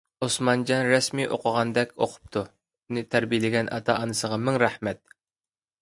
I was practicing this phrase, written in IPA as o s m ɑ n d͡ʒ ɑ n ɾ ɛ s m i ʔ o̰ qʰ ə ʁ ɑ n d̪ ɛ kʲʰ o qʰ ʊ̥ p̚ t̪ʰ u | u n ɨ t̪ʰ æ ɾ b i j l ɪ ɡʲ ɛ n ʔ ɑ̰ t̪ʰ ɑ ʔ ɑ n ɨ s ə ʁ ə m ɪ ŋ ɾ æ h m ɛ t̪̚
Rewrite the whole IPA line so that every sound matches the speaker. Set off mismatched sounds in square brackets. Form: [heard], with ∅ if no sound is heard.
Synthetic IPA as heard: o s m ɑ n d͡ʒ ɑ n ɾ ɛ s m i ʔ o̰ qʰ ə ʁ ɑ n d̪ ɛ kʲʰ o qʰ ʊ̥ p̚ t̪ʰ u | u n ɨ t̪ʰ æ ɾ b i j l ɪ ɡʲ ɛ n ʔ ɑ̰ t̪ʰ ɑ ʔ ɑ n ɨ s ə ʁ [ɑ] m ɪ ŋ ɾ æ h m ɛ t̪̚